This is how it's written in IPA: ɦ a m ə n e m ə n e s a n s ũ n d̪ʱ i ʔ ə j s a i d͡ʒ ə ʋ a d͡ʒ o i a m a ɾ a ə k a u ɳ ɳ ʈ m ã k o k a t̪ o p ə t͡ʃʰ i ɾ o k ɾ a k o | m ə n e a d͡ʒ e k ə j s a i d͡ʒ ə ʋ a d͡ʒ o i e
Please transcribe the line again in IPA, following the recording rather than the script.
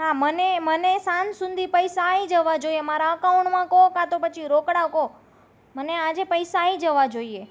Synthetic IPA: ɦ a m ə n e m ə n e s a n s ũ n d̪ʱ i p ə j s a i d͡ʒ ə ʋ a d͡ʒ o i e m a ɾ a ə k a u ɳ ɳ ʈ m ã k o k a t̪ o p ə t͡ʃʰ i ɾ o k ɽ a k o | m ə n e a d͡ʒ e p ə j s a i d͡ʒ ə ʋ a d͡ʒ o i e